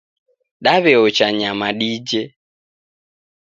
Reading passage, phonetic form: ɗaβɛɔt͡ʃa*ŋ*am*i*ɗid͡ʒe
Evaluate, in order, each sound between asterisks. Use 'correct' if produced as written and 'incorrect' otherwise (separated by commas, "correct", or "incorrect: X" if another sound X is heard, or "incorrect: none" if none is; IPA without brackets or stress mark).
incorrect: ɲ, incorrect: a